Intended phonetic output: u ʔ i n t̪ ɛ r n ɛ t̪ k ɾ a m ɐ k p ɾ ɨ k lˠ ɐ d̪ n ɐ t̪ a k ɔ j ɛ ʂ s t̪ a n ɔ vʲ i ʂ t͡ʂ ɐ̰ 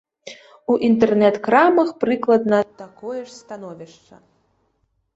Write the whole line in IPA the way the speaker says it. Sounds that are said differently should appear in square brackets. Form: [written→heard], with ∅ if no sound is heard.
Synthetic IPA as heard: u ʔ i n t̪ ɛ r n ɛ t̪ k ɾ a m ɐ [k→x] p ɾ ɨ k lˠ ɐ d̪ n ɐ t̪ a k ɔ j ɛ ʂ s t̪ a n ɔ vʲ i ʂ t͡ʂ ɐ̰

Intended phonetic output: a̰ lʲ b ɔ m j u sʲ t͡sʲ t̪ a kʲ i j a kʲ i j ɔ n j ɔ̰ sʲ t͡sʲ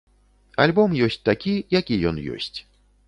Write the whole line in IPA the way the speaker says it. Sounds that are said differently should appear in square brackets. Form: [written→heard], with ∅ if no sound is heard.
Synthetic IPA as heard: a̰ lʲ b ɔ m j [u→ɔ] sʲ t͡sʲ t̪ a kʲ i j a kʲ i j ɔ n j ɔ̰ sʲ t͡sʲ

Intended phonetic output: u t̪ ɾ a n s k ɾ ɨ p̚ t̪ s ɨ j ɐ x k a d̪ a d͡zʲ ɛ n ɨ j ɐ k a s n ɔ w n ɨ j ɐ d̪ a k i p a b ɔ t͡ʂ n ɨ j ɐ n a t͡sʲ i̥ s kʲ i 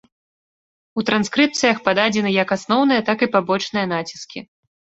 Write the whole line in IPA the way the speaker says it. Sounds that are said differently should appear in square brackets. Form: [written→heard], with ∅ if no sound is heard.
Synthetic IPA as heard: u t̪ ɾ a n s k ɾ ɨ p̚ t̪ s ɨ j ɐ x [k→p] a d̪ a d͡zʲ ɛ n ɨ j ɐ k a s n ɔ w n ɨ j ɐ [d̪→t̪] a k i p a b ɔ t͡ʂ n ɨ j ɐ n a t͡sʲ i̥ s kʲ i

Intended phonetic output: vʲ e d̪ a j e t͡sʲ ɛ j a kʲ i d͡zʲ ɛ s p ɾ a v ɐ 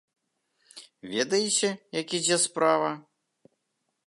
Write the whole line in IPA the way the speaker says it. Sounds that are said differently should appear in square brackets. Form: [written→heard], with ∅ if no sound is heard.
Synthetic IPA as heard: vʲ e d̪ [a→ɐ] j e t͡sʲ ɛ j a kʲ i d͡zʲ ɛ s p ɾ a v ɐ

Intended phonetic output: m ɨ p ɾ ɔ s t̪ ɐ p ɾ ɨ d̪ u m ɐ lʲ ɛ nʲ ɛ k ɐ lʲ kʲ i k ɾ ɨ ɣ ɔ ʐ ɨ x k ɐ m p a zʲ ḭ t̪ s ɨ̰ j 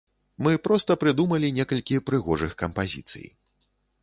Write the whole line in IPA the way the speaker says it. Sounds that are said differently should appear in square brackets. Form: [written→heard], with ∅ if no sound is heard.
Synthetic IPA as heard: m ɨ p ɾ ɔ s t̪ ɐ p ɾ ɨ d̪ u m ɐ lʲ [ɛ→i] nʲ ɛ k ɐ lʲ kʲ i [k→p] ɾ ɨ ɣ ɔ ʐ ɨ x k ɐ m p a zʲ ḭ t̪ s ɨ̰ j

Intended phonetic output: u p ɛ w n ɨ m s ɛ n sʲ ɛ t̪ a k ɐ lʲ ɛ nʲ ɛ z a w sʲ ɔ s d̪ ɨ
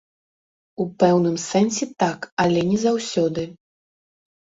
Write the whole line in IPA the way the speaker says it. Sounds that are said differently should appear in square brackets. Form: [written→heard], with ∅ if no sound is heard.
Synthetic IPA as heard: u p ɛ w n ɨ m s ɛ n sʲ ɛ t̪ a k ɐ lʲ ɛ nʲ ɛ z a w sʲ ɔ [s→∅] d̪ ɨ

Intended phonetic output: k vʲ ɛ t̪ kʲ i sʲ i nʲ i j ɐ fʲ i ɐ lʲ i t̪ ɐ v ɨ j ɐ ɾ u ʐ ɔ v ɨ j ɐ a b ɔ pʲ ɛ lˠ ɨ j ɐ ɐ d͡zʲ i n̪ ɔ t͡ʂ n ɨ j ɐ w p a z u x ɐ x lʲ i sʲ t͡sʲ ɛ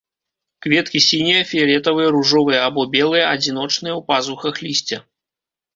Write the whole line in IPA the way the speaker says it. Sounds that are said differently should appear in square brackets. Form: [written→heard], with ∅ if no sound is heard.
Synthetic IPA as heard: k vʲ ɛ t̪ kʲ i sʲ i nʲ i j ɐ fʲ i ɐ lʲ [i→ɛ] t̪ ɐ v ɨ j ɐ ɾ u ʐ ɔ v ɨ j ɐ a b ɔ [pʲ→bʲ] ɛ lˠ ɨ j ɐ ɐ d͡zʲ i n̪ ɔ t͡ʂ n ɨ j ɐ w p a z u x ɐ x lʲ i sʲ t͡sʲ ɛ

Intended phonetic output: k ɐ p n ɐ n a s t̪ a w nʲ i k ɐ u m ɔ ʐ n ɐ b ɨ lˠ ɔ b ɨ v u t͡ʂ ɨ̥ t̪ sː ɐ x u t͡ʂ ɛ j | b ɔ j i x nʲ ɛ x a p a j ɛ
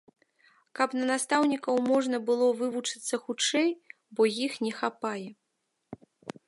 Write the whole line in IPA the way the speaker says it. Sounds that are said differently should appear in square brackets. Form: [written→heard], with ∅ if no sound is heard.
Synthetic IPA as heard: k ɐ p n ɐ n a s t̪ a w nʲ i k ɐ [u→w] m ɔ ʐ n ɐ b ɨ lˠ ɔ [b→v] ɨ v u t͡ʂ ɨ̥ t̪ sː ɐ x u t͡ʂ ɛ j | b ɔ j i x nʲ ɛ x a p a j ɛ

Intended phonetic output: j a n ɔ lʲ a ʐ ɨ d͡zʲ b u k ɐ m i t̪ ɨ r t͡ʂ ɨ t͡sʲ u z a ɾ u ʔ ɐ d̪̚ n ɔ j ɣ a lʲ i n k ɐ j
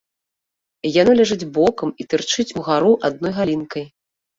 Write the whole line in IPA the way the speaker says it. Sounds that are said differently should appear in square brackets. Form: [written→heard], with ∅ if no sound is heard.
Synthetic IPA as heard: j a n ɔ lʲ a ʐ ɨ d͡zʲ b [u→ɔ] k ɐ m i t̪ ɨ r t͡ʂ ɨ t͡sʲ u [z→ɣ] a ɾ u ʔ [ɐ→a] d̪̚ n ɔ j ɣ a lʲ i n k ɐ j

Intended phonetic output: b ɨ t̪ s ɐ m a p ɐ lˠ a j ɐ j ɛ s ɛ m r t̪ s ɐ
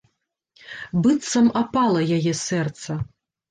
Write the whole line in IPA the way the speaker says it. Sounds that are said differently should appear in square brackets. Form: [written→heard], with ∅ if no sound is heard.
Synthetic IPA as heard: b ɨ t̪ s ɐ m a p [ɐ→a] lˠ [a→ɐ] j [ɐ→a] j ɛ s ɛ [m→∅] r t̪ s ɐ

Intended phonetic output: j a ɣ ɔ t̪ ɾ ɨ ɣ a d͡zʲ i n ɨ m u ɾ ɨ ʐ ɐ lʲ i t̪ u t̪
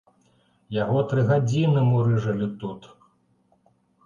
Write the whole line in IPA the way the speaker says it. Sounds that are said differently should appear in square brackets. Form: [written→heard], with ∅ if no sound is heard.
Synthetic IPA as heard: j a ɣ ɔ t̪ ɾ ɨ ɣ a d͡zʲ i n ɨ m u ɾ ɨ ʐ ɐ lʲ i t̪ u t̪

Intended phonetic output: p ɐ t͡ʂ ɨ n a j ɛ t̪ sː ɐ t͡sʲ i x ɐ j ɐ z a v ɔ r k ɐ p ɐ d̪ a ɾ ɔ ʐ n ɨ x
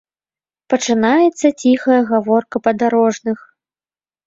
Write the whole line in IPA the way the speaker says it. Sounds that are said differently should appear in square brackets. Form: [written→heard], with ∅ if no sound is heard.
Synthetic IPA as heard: p ɐ t͡ʂ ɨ n a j ɛ t̪ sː ɐ t͡sʲ i x ɐ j ɐ [z→ɣ] a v ɔ r k ɐ p ɐ d̪ a ɾ ɔ ʐ n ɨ x

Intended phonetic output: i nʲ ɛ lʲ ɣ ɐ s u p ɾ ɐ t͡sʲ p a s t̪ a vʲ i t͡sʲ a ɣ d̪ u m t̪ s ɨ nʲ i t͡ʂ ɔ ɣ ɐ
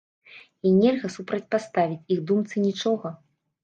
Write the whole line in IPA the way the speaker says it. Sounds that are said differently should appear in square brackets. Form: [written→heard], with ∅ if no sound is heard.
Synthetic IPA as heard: i nʲ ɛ lʲ ɣ ɐ s u p ɾ ɐ t͡sʲ p a s t̪ a vʲ i t͡sʲ [a→i] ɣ d̪ u m t̪ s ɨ nʲ i t͡ʂ ɔ ɣ ɐ

